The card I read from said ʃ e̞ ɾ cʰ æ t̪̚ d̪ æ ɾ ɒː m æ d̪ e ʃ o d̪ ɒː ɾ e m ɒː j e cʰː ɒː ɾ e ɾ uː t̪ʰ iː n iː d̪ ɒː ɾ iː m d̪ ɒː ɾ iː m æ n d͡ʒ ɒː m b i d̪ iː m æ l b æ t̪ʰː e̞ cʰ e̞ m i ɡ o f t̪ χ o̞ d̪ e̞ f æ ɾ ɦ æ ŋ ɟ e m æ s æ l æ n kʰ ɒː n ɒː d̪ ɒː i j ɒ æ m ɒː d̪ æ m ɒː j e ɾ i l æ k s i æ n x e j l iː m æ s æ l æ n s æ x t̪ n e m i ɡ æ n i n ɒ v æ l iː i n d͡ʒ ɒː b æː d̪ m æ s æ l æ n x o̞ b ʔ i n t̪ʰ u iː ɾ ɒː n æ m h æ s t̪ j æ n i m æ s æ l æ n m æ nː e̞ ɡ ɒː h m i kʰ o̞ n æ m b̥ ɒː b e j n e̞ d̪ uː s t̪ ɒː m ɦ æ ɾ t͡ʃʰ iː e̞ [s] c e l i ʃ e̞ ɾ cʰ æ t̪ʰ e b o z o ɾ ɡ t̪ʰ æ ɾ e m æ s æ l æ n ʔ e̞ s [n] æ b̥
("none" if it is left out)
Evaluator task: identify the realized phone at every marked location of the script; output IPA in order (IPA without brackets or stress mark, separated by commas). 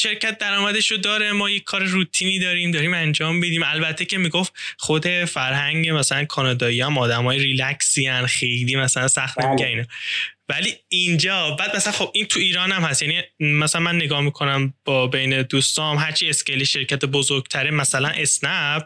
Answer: s, n